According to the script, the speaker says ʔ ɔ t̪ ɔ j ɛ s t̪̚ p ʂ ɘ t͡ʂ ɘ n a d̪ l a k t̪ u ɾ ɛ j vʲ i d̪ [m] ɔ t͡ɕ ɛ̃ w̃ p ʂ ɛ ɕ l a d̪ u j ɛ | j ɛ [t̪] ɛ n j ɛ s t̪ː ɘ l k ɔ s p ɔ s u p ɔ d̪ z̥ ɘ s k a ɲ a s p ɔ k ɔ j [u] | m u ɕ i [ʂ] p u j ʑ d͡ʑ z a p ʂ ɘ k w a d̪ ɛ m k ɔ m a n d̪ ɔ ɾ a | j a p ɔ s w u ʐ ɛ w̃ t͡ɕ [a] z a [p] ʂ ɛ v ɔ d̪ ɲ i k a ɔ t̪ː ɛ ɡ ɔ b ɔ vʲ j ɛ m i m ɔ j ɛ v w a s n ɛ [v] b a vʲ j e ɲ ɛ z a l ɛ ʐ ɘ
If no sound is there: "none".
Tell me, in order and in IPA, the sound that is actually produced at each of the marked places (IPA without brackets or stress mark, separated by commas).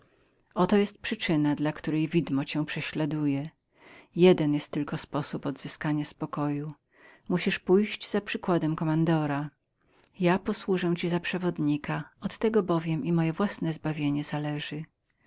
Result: m, d̪, u, ʂ, i, p, z